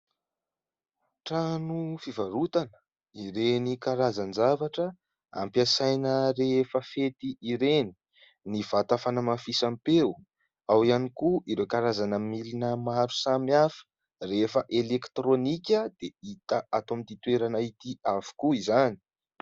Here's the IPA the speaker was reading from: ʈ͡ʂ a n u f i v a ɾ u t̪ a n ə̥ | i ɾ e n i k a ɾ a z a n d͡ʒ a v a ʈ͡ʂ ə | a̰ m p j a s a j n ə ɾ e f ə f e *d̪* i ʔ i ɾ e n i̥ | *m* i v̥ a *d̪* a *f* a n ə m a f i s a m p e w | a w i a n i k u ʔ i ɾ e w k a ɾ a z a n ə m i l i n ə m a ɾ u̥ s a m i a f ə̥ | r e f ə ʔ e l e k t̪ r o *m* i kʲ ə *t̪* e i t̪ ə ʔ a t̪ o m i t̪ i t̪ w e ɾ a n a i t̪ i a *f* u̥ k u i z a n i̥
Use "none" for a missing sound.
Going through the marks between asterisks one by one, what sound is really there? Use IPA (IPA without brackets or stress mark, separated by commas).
t̪, n, t̪, f, n, d̪, v